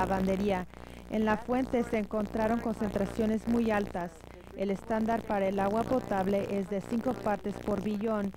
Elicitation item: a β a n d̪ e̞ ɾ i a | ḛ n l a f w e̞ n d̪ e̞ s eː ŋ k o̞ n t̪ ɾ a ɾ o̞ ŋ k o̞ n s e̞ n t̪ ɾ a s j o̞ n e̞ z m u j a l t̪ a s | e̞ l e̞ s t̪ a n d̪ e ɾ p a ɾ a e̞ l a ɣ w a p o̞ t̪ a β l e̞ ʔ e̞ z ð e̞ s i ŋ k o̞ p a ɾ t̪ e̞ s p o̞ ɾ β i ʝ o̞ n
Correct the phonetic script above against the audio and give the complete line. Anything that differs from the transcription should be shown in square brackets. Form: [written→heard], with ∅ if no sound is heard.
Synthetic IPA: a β a n d̪ e̞ ɾ i a | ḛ n l a f w e̞ n [d̪→t̪] e̞ s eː ŋ k o̞ n t̪ ɾ a ɾ o̞ ŋ k o̞ n s e̞ n t̪ ɾ a s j o̞ n e̞ z m u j a l t̪ a s | e̞ l e̞ s t̪ a n d̪ [e→a] ɾ p a ɾ a e̞ l a ɣ w a p o̞ t̪ a β l e̞ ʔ e̞ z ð e̞ s i ŋ k o̞ p a ɾ t̪ e̞ s p o̞ ɾ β i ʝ o̞ n